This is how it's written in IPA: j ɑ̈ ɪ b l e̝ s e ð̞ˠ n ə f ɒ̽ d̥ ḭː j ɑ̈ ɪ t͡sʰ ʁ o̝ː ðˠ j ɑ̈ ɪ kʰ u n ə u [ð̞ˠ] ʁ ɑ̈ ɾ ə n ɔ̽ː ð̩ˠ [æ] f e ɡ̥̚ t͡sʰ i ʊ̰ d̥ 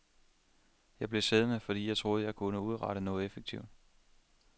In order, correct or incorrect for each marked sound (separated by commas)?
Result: correct, incorrect